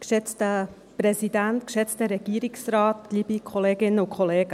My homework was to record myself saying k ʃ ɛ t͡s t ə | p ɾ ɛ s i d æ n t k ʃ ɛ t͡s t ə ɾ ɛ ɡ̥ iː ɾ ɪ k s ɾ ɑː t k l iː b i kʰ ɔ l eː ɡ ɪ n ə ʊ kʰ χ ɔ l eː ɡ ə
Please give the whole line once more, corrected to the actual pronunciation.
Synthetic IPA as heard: k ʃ ɛ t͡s t ə | p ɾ ɛ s i d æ n t k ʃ ɛ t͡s t ə ɾ ɛ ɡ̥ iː ɾ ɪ k s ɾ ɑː t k l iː b i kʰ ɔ l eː ɡ ɪ n ə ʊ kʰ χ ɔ l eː ɡ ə